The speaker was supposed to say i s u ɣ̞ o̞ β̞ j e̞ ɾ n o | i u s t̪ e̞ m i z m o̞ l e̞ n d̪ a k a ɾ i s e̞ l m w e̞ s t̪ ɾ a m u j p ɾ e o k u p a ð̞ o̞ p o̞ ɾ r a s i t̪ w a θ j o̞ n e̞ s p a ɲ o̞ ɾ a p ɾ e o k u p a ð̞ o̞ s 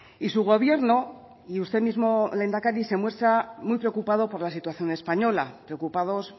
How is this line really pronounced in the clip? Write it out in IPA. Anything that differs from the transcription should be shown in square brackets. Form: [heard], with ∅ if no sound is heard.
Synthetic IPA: i s u ɣ̞ o̞ β̞ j e̞ ɾ n o | i u s t̪ e̞ m i z m o̞ l e̞ n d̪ a k a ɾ i s e̞ [∅] m w e̞ s t̪ ɾ a m u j p ɾ e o k u p a ð̞ o̞ p o̞ ɾ [l] a s i t̪ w a θ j o̞ n e̞ s p a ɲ o̞ [l] a p ɾ e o k u p a ð̞ o̞ s